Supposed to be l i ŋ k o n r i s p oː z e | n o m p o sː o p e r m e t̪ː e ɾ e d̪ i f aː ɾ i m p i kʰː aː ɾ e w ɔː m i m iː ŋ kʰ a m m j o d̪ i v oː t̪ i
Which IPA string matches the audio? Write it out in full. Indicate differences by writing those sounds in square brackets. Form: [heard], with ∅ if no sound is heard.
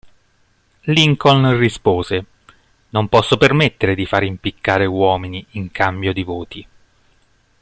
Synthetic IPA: l i ŋ k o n r i s p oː z e | n o m p [ɔ] sː o p e r m e t̪ː e ɾ e d̪ i f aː ɾ i m p i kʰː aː ɾ e w ɔː m i [n] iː ŋ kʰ a m [b] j o d̪ i v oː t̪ i

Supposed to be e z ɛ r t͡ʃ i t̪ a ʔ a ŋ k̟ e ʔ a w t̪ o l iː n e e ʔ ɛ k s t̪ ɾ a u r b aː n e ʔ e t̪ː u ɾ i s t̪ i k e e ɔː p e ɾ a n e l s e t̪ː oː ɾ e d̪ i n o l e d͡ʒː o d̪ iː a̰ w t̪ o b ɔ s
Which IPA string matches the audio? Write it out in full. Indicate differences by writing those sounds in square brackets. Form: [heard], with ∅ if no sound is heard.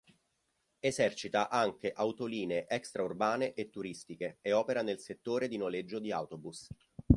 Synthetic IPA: e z ɛ r t͡ʃ i t̪ a ʔ a ŋ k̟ e ʔ a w t̪ o l iː n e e ʔ ɛ k s t̪ ɾ a u r b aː n e ʔ e t̪ː u ɾ i s t̪ i k e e ɔː p e ɾ a n e l s e t̪ː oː ɾ e d̪ i n o l e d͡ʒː o d̪ [i] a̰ w t̪ o b [u] s

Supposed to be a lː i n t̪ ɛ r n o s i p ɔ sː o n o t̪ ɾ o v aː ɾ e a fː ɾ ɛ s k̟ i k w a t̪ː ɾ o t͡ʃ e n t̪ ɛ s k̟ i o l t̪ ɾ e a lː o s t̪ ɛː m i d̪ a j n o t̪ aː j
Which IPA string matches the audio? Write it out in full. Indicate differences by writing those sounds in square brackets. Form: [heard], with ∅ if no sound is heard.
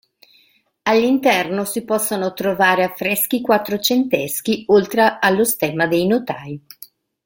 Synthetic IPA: a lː i n t̪ ɛ r n o s i p ɔ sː o n o t̪ ɾ o v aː ɾ e a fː ɾ ɛ s k̟ i k w a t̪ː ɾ o t͡ʃ e n t̪ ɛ s k̟ i o l t̪ ɾ e a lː o s t̪ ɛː m [a] d̪ [e] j n o t̪ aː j

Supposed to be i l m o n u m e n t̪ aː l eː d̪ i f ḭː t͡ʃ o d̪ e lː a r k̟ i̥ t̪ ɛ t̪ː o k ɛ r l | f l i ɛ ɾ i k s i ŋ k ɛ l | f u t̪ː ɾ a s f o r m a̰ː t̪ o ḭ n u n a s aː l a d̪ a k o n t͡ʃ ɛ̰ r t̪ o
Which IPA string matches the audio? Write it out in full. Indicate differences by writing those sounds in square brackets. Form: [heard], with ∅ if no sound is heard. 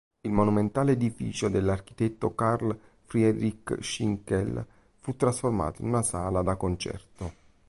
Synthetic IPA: i l m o n u m e n t̪ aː l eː d̪ i f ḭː t͡ʃ o d̪ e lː a r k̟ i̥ t̪ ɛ t̪ː o k [a] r l | f [ɾ] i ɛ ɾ i k [ʃ] i ŋ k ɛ l | f u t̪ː ɾ a s f o r m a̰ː t̪ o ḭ n u n a s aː l a d̪ a k o n t͡ʃ ɛ̰ r t̪ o

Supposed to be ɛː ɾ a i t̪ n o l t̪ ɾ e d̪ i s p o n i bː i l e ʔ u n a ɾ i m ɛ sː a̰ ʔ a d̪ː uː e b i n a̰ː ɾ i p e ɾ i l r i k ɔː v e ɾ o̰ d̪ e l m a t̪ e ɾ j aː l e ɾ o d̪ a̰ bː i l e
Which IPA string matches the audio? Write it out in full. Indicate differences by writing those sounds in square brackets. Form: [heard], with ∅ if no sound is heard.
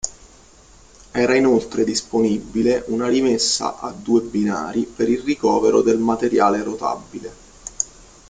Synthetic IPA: ɛː ɾ a i [∅] n o l t̪ ɾ e d̪ i s p o n i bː i l e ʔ u n a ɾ i m [e] sː a̰ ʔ a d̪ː uː e b i n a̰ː ɾ i p e ɾ i l r i k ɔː v e ɾ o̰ d̪ e l m a t̪ e ɾ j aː l e ɾ o [t̪] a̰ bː i l e

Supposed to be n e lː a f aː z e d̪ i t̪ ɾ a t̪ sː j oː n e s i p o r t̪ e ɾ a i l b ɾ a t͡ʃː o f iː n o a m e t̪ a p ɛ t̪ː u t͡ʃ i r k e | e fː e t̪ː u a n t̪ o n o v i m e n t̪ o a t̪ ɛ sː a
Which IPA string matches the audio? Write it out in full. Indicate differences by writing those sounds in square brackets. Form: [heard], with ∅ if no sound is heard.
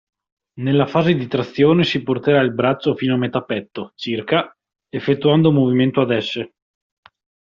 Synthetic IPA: n e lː a f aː z e d̪ i t̪ ɾ a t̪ sː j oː n e s i p o r t̪ e ɾ a i l b ɾ a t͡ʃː o f iː n o a m e t̪ a p ɛ t̪ː [o] t͡ʃ i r k [a] | e fː e t̪ː u a n [d̪] o [m] o v i m e n t̪ o a [d̪] ɛ sː [e]

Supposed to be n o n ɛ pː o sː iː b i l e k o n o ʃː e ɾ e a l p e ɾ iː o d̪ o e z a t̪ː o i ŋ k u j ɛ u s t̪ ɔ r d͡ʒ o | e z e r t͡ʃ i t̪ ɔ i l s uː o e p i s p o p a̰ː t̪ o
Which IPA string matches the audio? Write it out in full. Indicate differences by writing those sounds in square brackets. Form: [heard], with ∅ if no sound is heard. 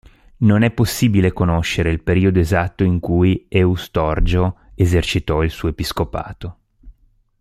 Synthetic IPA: n o n ɛ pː o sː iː b i l e k o n o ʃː e ɾ e [i] l p e ɾ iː o d̪ o e z a t̪ː o i ŋ k u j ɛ u s t̪ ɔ r d͡ʒ o | e z e r t͡ʃ i t̪ ɔ i l s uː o e p i s [k] o p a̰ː t̪ o

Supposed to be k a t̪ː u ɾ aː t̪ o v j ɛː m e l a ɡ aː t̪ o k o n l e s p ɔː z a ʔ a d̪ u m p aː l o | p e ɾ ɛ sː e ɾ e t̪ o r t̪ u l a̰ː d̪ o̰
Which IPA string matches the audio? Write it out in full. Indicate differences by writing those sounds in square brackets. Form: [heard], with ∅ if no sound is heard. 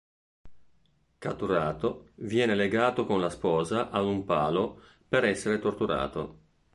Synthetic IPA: k a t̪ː u ɾ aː t̪ o v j ɛː [n] e l [e] ɡ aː t̪ o k o n l [a] s p ɔː z a ʔ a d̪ u m p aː l o | p e ɾ ɛ sː e ɾ e t̪ o r t̪ u [ɾ] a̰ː [t̪] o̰

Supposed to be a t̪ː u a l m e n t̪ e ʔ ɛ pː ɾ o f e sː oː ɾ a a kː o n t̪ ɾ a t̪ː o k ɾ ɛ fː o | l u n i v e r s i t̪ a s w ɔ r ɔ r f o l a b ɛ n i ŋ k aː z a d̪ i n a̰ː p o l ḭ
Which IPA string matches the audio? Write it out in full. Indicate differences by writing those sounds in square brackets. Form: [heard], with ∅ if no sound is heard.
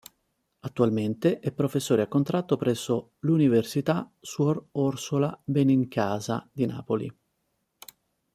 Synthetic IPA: a t̪ː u a l m e n t̪ e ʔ ɛ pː ɾ o f e sː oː ɾ [e] a kː o n t̪ ɾ a t̪ː o [p] ɾ ɛ [sː] o | l u n i v e r s i t̪ a s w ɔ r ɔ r [s] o l a b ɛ n i ŋ k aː z a d̪ i n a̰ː p o l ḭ

